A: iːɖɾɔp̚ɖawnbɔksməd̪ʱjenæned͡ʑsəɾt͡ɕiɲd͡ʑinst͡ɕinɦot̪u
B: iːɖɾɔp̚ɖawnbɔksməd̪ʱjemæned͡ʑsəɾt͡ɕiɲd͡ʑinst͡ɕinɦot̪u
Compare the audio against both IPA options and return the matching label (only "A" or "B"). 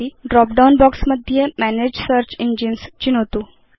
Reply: B